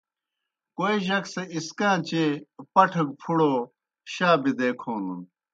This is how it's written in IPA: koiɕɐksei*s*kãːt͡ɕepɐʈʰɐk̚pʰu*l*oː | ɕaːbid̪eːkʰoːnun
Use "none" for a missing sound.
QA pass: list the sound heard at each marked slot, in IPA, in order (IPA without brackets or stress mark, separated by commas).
s, ɽ